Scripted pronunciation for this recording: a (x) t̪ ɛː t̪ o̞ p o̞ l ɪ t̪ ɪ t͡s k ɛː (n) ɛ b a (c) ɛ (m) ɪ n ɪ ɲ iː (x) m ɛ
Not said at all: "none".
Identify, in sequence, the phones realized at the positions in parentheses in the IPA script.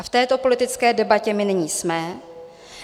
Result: f, d, c, m, s

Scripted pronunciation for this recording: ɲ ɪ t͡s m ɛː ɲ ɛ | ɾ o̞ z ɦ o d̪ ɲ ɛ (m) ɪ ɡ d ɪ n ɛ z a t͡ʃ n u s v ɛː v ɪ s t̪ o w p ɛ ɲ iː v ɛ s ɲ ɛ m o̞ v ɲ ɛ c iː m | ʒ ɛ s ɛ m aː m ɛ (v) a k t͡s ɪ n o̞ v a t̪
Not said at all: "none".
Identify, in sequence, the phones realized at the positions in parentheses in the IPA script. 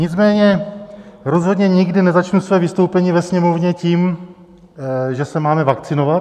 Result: ɲ, v

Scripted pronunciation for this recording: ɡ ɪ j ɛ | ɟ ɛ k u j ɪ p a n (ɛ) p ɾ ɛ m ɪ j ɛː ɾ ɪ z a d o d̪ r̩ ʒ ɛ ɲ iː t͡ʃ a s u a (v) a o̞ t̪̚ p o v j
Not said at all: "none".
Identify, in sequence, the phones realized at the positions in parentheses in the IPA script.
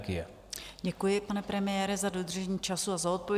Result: ɛ, z

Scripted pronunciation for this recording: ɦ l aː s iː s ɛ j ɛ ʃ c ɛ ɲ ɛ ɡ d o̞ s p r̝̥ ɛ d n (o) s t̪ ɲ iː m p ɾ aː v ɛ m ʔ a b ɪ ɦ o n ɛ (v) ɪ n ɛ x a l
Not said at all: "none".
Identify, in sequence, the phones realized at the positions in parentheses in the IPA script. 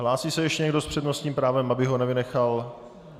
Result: o, v

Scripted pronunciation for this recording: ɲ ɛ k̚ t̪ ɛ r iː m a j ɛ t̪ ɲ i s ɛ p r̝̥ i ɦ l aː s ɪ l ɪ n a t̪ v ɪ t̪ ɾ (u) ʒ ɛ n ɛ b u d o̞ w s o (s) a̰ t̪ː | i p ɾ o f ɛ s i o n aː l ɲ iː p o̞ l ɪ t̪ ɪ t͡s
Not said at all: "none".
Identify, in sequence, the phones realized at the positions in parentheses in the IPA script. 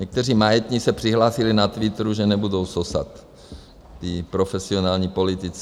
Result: u, s

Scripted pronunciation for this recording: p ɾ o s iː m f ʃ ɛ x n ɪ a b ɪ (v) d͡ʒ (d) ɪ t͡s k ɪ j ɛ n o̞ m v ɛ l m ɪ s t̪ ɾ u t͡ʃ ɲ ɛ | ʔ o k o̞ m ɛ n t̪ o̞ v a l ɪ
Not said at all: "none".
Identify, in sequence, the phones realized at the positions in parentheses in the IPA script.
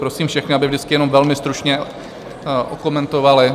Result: v, d

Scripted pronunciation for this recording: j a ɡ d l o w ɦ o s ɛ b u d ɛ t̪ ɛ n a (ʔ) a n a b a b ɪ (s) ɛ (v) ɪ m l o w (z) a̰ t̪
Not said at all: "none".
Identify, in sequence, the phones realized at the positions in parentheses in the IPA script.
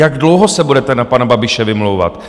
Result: p, ʃ, v, v

